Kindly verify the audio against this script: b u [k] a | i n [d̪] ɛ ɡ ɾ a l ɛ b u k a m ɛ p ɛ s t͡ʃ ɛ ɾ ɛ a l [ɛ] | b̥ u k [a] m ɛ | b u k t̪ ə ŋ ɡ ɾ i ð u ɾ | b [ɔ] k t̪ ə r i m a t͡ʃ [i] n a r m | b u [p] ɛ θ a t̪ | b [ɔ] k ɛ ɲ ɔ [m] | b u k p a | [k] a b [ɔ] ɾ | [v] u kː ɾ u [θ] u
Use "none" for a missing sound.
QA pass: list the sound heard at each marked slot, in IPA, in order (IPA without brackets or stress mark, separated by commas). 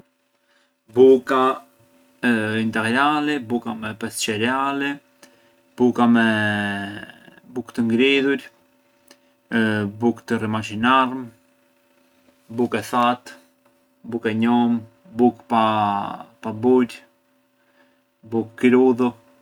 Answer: k, t̪, ɛ, a, u, i, k, u, m, p, u, b, ð